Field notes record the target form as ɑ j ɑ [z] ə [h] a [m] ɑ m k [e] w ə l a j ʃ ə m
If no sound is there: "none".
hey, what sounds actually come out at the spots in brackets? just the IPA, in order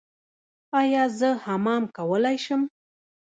z, h, m, a

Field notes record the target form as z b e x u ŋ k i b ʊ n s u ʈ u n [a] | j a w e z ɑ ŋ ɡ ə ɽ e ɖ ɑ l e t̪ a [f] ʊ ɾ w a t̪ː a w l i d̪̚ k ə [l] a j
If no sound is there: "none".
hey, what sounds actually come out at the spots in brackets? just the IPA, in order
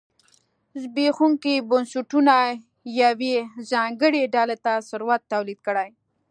a, s, ɽ

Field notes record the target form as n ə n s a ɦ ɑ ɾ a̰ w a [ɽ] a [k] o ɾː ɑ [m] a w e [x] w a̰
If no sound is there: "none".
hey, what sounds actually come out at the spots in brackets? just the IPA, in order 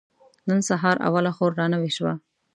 l, x, n, ʃ

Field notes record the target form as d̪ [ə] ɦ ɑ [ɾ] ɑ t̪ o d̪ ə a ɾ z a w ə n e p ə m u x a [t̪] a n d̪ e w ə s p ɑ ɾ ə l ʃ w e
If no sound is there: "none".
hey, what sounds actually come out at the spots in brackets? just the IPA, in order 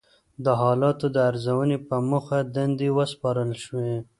ə, l, d̪

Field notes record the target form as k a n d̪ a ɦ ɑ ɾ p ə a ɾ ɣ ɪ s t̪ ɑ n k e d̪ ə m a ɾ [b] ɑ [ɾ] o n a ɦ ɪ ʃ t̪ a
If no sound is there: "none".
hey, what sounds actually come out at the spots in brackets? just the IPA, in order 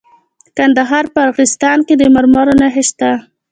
m, ɾ

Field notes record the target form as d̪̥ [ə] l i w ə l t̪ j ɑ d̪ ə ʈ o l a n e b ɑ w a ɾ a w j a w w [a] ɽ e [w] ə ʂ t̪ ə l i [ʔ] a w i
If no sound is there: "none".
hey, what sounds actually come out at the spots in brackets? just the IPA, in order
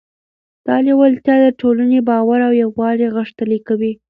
ɑ, ɑ, ɣ, k

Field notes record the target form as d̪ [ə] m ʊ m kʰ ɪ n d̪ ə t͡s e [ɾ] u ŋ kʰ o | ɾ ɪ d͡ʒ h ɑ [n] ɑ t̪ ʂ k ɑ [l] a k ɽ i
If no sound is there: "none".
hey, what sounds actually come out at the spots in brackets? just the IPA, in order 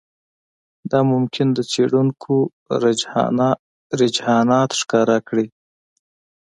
ɑ, ɽ, n, ɾ

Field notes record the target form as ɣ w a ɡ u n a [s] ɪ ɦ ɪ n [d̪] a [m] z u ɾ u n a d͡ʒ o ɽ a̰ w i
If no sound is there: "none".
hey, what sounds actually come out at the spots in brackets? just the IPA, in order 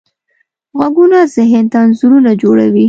z, t̪, n

